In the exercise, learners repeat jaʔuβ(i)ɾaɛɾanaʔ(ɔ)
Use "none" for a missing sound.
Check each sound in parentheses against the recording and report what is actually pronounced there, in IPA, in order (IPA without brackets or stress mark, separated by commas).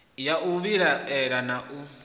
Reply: i, u